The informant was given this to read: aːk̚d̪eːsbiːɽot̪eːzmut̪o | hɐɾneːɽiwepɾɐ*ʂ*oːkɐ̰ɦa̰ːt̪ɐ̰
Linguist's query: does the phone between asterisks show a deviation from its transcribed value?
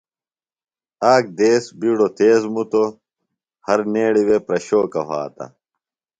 yes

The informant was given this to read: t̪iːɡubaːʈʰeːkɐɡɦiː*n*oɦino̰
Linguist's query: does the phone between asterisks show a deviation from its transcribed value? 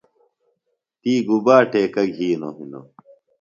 no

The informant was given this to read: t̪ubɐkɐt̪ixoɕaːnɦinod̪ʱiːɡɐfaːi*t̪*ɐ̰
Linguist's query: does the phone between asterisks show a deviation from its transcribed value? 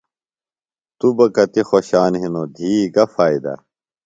yes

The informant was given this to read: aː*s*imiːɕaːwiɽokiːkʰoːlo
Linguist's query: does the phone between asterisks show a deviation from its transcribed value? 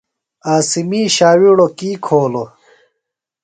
no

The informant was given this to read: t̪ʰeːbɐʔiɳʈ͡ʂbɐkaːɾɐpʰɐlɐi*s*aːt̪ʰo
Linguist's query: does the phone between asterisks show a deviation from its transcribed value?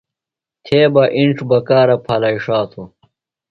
yes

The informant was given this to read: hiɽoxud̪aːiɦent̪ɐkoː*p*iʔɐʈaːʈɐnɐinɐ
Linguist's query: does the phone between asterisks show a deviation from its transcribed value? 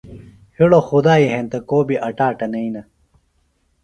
yes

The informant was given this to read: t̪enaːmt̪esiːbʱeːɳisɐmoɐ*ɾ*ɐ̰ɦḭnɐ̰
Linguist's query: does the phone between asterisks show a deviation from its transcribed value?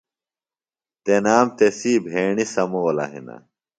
yes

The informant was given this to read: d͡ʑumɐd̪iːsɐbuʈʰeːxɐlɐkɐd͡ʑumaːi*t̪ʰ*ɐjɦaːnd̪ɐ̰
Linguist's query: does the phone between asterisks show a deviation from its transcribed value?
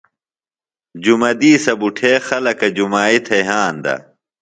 no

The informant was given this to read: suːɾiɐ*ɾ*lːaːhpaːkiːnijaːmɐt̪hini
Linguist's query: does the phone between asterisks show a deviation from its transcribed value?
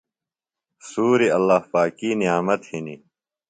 yes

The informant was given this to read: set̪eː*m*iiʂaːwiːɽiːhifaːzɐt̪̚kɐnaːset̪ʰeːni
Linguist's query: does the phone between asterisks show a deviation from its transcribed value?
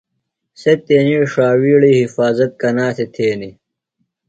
yes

